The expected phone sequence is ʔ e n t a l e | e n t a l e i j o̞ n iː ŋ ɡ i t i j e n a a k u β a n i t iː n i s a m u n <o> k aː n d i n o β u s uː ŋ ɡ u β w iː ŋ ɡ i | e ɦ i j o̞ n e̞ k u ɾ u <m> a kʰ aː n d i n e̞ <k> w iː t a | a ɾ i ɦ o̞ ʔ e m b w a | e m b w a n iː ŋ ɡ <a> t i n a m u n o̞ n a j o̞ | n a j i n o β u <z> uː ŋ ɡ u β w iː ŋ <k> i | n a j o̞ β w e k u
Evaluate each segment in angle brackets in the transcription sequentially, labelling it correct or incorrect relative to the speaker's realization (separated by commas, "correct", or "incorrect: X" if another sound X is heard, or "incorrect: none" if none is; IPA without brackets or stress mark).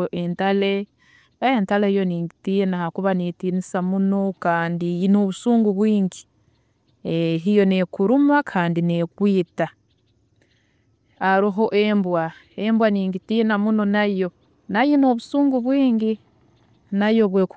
correct, correct, correct, incorrect: i, incorrect: s, incorrect: ɡ